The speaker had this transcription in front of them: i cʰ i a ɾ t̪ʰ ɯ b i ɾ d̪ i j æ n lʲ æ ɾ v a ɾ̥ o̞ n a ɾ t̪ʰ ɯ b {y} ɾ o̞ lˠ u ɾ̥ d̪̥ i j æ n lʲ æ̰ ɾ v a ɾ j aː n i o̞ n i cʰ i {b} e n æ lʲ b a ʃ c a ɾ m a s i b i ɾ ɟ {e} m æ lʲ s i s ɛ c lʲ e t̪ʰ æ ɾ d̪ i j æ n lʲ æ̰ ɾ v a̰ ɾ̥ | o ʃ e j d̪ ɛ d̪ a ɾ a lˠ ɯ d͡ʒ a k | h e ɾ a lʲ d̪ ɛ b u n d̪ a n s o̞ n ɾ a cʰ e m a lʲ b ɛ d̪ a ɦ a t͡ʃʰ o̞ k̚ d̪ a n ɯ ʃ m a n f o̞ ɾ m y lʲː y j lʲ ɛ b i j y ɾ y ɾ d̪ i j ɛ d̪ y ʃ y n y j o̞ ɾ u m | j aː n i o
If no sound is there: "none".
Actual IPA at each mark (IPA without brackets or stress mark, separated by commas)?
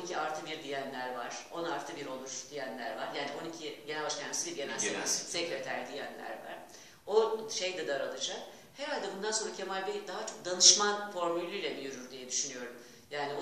i, ɟ, e